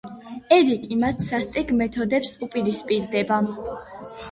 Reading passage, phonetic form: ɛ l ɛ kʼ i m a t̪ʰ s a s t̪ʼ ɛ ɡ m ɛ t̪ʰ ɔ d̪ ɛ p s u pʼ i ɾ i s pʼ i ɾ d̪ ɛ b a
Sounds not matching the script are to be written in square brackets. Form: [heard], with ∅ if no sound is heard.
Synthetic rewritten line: ɛ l [i] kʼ i m a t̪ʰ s a s t̪ʼ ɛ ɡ m ɛ t̪ʰ ɔ d̪ ɛ p s u pʼ i ɾ i s pʼ i ɾ d̪ ɛ b a